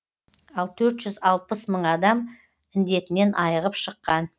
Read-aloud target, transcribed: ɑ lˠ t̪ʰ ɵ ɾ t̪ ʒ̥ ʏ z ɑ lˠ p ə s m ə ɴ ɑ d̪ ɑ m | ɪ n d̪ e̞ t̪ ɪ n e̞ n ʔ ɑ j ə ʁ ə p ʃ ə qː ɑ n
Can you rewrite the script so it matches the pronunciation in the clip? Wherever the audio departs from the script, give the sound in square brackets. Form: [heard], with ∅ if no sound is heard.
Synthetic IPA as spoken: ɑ lˠ t̪ʰ ɵ ɾ t̪ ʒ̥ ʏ z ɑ lˠ p ə s m ə ɴ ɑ d̪ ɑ m | ɪ n d̪ e̞ t̪ ɪ n e̞ n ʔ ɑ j ə ʁ ə p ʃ ə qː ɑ n